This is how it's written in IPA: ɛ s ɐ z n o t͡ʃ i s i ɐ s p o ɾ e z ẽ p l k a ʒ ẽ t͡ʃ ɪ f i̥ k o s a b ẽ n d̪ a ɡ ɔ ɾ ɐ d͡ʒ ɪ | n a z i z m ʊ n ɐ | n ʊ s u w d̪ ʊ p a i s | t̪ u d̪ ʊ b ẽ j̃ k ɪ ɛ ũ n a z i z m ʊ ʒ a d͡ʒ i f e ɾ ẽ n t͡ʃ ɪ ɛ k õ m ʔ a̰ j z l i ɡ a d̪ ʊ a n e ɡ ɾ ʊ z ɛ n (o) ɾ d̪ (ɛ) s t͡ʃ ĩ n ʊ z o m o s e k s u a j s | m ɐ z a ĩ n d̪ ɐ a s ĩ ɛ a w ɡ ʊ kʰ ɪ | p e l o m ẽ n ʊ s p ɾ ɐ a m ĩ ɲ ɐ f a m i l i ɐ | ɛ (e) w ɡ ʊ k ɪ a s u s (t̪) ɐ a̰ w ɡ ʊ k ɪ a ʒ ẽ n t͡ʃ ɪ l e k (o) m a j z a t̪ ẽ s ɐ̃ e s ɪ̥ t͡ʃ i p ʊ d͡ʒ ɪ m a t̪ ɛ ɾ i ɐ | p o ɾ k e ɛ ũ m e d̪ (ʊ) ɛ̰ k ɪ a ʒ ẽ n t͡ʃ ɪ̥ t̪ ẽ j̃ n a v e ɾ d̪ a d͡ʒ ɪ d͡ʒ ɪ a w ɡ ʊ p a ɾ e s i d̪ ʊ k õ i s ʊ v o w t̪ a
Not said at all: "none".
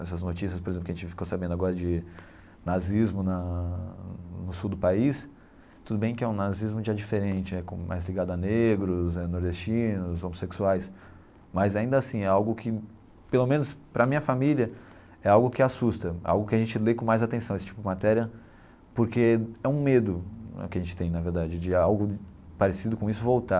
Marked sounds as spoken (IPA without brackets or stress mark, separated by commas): o, e, a, t̪, õ, ʊ